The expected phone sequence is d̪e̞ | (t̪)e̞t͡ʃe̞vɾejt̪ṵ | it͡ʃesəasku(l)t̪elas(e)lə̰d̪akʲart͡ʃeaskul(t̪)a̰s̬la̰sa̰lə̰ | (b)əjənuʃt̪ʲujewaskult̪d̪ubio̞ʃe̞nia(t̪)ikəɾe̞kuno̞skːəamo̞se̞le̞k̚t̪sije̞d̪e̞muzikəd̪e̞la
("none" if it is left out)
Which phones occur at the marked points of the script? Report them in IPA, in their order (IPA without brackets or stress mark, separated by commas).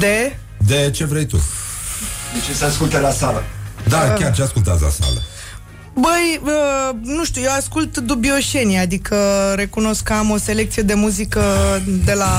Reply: d̪, l, a, t̪, b, d̪